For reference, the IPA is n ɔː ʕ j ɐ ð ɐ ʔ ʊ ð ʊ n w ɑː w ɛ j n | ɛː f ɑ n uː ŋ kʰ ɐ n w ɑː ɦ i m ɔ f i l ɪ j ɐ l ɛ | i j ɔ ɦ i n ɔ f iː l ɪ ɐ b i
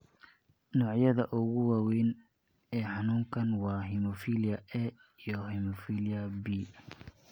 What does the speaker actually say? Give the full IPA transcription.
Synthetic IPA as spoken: n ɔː ʕ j ɐ ð ɐ ʔ ʊ ɣ ʊ w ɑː w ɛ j n | ɛː ħ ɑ n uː ŋ kʰ ɐ n w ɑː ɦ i m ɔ f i l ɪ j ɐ ɛ | i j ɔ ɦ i m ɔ f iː l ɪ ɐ b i